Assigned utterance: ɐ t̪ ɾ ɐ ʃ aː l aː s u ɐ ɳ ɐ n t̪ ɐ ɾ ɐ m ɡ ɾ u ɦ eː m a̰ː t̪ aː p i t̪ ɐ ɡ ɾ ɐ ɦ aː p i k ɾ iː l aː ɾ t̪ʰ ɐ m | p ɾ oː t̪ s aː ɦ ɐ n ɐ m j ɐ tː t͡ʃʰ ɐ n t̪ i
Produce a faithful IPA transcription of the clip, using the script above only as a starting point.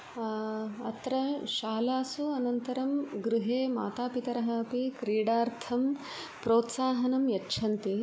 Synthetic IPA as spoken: ɐ t̪ ɾ ɐ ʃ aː l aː s u ɐ n ɐ n t̪ ɐ ɾ ɐ m ɡ ɾ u ɦ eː m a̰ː t̪ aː p i t̪ ɐ ɾ ɐ ɦ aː p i k ɾ iː ɽ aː ɾ t̪ʰ ɐ m | p ɾ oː t̪ s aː ɦ ɐ n ɐ m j ɐ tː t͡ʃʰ ɐ n t̪ i